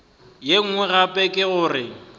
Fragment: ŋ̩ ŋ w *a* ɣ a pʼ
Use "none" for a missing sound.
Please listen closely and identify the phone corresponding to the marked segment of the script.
ɛ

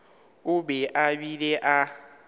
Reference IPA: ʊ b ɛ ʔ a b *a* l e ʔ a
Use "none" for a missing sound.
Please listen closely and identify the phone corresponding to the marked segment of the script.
i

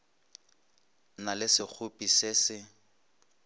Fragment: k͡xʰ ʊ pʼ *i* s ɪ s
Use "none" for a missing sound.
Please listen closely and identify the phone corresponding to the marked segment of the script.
i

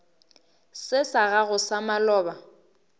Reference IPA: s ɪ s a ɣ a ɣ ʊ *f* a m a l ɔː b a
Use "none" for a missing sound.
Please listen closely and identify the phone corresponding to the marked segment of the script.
s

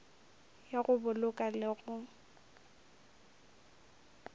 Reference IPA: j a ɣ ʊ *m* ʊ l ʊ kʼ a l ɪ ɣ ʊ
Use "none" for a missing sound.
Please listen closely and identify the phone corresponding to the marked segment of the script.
b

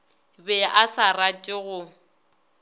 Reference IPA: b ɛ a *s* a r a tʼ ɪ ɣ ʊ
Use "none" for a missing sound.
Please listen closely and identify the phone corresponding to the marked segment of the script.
s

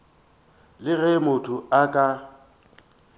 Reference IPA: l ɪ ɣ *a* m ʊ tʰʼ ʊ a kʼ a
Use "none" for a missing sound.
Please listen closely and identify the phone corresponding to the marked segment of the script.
ɛ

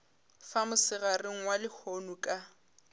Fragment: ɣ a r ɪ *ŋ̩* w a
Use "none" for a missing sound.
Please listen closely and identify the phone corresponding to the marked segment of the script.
ŋ̩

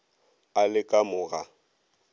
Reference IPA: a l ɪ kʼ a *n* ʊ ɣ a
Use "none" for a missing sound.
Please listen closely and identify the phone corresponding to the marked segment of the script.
m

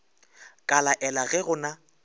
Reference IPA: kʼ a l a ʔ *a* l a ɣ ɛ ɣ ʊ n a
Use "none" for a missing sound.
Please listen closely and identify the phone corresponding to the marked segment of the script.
ɛ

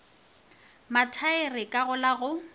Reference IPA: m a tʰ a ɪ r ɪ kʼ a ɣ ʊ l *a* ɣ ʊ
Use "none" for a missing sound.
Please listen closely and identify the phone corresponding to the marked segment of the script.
a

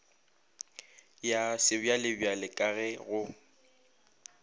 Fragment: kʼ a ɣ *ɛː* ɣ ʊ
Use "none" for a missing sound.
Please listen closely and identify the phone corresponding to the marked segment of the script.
ɛ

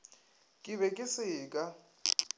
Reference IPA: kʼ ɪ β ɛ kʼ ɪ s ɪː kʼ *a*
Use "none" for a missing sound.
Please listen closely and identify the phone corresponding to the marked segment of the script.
a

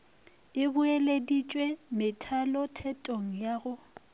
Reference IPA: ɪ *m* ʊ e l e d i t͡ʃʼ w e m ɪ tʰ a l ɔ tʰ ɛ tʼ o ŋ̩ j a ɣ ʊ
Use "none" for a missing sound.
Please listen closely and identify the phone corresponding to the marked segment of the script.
b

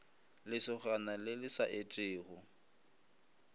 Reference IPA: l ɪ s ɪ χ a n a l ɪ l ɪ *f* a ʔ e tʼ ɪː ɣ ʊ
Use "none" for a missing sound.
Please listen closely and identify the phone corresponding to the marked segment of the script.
s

